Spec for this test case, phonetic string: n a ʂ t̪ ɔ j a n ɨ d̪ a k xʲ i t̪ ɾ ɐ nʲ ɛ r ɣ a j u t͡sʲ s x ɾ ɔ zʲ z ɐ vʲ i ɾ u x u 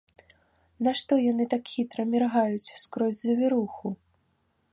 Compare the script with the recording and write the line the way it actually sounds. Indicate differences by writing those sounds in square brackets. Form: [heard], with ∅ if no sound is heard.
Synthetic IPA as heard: n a ʂ t̪ ɔ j a n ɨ [t̪] a k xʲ i t̪ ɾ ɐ [mʲ] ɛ r ɣ a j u t͡sʲ s [k] ɾ ɔ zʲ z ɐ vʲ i ɾ u x u